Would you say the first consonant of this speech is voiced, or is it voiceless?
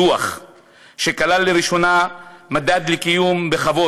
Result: voiceless